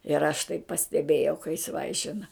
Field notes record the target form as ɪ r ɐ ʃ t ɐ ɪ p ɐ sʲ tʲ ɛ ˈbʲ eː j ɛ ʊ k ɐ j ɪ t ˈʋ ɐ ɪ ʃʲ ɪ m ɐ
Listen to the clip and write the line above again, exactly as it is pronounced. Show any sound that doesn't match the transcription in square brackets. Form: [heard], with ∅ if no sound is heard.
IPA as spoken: ɪ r ɐ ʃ t ɐ ɪ p ɐ sʲ tʲ ɛ ˈbʲ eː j ɛ ʊ k ɐ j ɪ [s] ˈʋ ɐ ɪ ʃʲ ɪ [n] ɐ